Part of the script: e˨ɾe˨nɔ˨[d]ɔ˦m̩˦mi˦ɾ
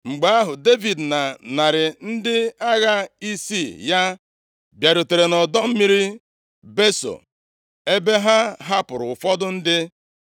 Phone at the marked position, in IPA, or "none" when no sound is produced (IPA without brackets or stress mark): d